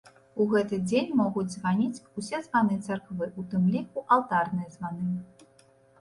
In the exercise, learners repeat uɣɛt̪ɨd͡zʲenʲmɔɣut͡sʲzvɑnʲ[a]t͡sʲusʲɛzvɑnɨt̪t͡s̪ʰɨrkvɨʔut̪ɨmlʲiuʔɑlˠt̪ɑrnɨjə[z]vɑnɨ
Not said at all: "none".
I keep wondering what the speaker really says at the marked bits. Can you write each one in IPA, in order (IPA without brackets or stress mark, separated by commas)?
i, z